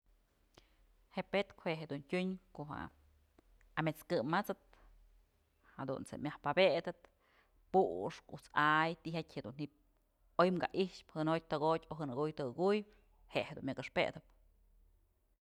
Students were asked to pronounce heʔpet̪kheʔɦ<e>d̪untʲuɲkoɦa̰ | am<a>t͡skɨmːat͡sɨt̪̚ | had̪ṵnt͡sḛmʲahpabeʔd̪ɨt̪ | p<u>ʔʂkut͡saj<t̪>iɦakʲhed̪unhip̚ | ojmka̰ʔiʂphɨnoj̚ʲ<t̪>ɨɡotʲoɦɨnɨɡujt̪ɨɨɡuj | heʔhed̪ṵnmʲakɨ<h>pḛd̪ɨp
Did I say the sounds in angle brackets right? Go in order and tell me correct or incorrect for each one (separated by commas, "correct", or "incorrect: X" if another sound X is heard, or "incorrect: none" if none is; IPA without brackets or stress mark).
correct, incorrect: e, correct, correct, correct, incorrect: ʂ